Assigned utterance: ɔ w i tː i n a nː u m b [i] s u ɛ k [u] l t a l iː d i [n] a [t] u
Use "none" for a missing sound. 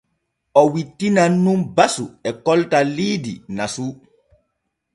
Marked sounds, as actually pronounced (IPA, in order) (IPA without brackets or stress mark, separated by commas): a, ɔ, n, s